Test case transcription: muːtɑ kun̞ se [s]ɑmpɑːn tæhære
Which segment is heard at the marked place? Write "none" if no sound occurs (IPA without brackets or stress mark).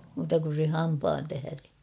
h